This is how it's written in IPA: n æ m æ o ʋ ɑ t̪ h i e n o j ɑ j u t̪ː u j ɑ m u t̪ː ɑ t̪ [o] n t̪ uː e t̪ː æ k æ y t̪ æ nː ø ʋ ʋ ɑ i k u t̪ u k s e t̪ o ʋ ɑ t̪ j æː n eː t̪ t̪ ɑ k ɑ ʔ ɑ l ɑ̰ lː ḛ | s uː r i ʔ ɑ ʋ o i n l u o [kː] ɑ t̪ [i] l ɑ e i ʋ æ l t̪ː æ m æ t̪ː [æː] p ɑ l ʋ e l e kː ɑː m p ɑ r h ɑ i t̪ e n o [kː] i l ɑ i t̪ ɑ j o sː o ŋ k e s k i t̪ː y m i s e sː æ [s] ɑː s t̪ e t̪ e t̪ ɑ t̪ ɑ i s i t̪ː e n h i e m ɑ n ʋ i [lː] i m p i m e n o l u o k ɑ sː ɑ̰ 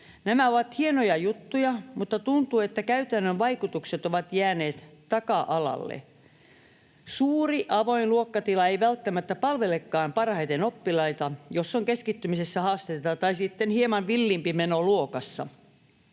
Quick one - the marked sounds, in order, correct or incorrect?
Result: incorrect, correct, correct, incorrect, incorrect, incorrect, correct

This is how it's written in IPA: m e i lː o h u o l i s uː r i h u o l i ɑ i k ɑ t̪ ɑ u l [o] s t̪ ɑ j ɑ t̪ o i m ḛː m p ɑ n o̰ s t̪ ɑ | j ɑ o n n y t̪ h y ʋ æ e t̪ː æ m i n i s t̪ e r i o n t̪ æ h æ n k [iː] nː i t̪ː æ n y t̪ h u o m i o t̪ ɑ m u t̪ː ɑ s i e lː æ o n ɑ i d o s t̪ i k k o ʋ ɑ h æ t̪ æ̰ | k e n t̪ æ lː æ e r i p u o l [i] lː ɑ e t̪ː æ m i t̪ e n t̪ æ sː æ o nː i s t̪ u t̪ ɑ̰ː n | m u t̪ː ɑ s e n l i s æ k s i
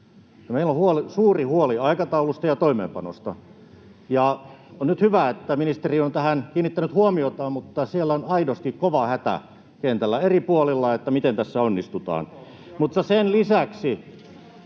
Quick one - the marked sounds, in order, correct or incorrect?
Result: incorrect, correct, correct

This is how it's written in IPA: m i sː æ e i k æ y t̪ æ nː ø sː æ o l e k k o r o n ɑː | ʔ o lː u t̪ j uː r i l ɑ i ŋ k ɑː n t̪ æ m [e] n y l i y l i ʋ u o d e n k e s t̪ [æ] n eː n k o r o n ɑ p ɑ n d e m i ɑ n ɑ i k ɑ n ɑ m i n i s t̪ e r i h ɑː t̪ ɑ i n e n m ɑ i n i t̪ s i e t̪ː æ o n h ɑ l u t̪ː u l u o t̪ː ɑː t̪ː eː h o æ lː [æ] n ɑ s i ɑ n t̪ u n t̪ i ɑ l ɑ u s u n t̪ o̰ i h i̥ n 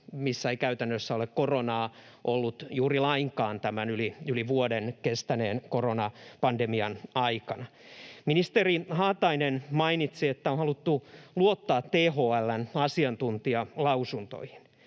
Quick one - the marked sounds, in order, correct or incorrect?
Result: incorrect, correct, correct

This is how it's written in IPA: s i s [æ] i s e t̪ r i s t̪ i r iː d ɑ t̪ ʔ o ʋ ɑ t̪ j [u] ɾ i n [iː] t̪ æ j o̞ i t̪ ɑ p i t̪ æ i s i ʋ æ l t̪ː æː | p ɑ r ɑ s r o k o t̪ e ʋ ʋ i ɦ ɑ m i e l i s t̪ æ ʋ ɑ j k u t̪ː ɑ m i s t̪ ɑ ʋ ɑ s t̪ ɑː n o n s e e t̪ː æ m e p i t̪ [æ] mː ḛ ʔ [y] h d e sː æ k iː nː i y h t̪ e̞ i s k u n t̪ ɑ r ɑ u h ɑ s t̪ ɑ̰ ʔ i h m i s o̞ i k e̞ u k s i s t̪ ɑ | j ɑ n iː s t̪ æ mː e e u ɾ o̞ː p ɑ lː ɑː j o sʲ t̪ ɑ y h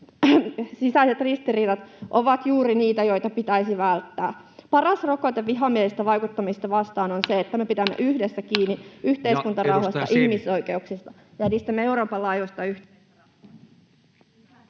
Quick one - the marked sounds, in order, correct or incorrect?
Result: correct, incorrect, correct, correct, correct

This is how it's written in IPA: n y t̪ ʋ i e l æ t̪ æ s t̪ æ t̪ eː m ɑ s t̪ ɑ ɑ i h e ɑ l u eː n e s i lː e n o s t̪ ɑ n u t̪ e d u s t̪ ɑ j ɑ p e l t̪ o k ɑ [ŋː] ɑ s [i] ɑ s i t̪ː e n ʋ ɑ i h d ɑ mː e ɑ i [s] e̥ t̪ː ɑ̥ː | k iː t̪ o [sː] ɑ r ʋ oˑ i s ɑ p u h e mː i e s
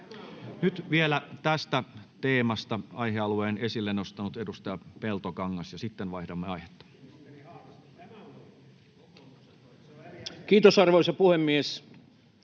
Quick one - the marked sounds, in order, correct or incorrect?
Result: correct, incorrect, incorrect, incorrect

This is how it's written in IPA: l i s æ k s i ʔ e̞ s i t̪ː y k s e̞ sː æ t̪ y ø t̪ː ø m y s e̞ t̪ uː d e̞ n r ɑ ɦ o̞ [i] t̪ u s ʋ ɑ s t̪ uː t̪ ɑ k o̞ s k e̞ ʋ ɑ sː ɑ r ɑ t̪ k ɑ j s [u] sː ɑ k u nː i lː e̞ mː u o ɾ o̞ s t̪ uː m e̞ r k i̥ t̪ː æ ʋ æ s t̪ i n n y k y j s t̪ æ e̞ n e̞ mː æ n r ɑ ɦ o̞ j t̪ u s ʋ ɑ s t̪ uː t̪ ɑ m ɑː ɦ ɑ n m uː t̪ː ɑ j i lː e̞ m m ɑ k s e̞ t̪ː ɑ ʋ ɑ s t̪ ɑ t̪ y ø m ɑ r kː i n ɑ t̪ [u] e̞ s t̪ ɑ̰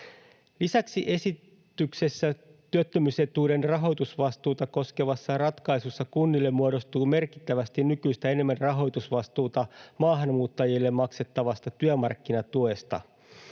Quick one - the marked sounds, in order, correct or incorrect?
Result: incorrect, correct, correct

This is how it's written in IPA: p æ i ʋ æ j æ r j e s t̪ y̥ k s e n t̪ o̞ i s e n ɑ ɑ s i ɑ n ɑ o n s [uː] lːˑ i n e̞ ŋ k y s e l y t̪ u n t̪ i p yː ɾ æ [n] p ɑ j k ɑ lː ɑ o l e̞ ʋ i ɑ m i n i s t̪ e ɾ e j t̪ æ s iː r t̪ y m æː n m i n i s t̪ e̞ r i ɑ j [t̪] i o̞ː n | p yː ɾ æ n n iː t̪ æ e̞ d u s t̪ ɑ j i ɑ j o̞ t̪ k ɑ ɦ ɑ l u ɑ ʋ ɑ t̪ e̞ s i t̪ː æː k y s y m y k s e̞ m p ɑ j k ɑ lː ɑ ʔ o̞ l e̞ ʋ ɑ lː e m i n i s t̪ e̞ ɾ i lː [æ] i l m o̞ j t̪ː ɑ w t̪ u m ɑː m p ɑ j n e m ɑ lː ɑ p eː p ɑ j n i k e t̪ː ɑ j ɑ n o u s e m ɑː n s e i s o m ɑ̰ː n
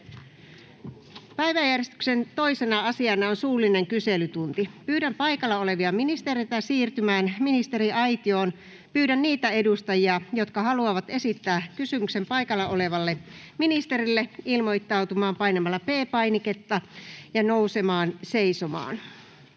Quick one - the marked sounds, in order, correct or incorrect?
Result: correct, incorrect, correct, incorrect

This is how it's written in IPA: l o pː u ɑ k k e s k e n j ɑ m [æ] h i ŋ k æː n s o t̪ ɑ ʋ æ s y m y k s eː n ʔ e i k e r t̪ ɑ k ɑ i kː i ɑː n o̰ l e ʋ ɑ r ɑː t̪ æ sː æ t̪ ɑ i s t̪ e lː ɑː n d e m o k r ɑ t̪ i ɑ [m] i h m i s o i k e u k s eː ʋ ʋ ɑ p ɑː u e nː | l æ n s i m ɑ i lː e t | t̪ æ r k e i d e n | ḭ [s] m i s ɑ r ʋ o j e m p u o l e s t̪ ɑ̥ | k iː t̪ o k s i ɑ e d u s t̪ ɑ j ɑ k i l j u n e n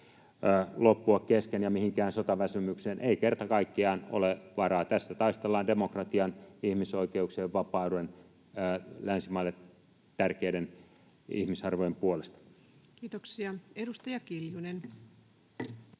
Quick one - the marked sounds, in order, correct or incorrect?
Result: incorrect, incorrect, incorrect

